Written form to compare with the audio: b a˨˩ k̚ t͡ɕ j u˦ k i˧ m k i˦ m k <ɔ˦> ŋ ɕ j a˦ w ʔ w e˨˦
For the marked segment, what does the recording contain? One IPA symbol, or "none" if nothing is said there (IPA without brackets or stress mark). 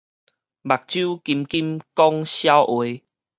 ɔ˦